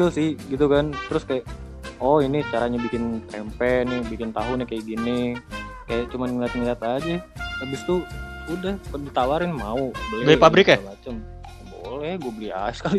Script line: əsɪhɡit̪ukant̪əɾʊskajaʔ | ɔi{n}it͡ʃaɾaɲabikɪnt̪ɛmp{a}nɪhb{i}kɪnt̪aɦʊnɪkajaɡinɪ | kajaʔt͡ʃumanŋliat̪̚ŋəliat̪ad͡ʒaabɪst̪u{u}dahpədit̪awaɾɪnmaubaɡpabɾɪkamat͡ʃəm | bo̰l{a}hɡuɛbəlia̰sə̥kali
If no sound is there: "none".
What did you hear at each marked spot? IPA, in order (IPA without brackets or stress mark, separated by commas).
n, ɛ, i, u, ɛ